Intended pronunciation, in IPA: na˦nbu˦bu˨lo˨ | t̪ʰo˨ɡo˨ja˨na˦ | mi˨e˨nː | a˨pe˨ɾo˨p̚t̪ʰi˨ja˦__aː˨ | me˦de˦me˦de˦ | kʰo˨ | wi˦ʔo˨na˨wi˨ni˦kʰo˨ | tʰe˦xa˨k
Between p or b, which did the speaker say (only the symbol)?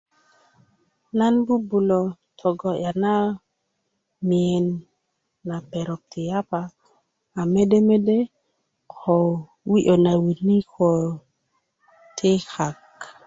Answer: p